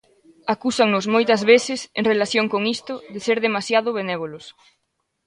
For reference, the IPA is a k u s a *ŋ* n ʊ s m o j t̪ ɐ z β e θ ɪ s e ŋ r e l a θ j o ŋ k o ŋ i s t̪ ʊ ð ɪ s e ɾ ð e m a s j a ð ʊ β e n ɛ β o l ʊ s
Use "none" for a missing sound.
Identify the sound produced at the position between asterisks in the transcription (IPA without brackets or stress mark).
ŋ